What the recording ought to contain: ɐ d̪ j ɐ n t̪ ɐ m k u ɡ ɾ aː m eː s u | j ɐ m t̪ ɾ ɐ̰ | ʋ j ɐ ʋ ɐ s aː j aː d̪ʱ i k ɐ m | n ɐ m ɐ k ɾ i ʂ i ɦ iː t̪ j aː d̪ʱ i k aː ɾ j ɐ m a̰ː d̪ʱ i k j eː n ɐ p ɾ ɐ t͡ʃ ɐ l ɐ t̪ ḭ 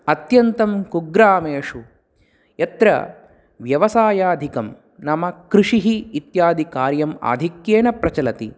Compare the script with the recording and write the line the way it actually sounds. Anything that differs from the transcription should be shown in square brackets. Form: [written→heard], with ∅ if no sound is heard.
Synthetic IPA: ɐ [d̪→t̪] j ɐ n t̪ ɐ m k u ɡ ɾ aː m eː [s→ʂ] u | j ɐ [m→∅] t̪ ɾ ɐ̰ | ʋ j ɐ ʋ ɐ s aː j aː d̪ʱ i k ɐ m | n ɐ m ɐ k ɾ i ʂ i ɦ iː t̪ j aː d̪ʱ i k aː ɾ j ɐ m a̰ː d̪ʱ i k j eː n ɐ p ɾ ɐ t͡ʃ ɐ l ɐ t̪ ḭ